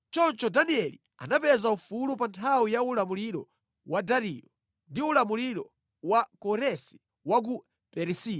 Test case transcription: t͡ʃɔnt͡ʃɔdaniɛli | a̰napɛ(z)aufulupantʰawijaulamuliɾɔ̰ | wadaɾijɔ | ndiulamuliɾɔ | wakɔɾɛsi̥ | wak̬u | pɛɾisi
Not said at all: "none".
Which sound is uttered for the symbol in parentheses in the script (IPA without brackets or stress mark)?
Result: z